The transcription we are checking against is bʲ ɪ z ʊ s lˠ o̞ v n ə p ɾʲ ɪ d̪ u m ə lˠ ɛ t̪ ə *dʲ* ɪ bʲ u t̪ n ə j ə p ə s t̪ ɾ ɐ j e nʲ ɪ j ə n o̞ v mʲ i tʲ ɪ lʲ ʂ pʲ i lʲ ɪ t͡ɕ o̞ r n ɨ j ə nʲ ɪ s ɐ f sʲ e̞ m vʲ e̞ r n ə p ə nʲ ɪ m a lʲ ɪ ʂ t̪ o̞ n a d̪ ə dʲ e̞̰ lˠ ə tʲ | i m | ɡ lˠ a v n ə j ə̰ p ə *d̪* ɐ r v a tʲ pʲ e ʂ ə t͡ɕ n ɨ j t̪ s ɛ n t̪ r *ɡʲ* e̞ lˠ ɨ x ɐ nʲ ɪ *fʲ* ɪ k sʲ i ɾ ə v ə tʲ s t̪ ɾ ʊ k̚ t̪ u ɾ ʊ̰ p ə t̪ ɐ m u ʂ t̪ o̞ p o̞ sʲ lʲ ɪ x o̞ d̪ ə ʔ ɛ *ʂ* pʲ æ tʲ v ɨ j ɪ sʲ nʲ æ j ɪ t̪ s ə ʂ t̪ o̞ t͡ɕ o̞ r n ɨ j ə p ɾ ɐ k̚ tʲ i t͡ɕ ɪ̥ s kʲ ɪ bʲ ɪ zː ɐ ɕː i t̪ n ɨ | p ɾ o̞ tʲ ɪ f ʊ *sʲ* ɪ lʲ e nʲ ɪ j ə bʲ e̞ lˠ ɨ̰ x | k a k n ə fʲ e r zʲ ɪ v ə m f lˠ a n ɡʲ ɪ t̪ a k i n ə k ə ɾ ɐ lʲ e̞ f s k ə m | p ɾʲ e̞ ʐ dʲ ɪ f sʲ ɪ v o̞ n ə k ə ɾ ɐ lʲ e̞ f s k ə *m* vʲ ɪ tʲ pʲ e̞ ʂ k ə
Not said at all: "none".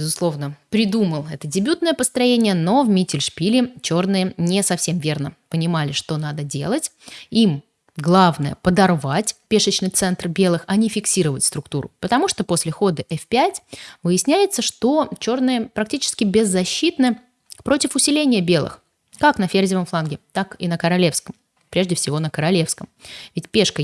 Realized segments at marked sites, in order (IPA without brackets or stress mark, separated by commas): dʲ, d̪, bʲ, fʲ, f, sʲ, m